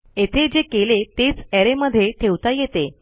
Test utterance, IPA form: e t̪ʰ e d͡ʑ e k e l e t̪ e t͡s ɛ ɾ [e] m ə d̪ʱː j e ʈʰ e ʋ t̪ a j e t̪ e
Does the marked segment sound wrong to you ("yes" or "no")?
no